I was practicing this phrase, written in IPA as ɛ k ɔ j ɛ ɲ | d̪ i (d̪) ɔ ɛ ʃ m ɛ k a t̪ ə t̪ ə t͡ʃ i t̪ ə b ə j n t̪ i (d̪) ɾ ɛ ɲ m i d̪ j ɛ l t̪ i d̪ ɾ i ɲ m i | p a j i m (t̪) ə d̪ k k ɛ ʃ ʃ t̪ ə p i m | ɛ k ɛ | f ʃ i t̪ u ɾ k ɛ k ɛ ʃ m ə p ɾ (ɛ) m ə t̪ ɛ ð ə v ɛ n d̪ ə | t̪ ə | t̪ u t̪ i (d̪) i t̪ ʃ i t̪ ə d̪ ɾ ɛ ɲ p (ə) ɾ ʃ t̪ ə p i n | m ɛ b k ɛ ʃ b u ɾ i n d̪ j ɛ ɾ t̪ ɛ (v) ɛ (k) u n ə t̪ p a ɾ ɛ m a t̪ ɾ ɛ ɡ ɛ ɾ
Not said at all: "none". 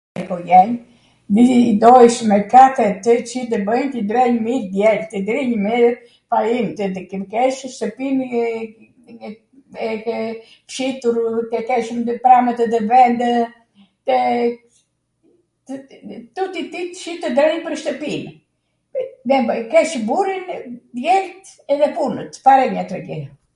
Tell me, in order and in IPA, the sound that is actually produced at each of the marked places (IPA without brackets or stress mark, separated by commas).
d̪, d̪, t̪, a, t̪, ə, ð, p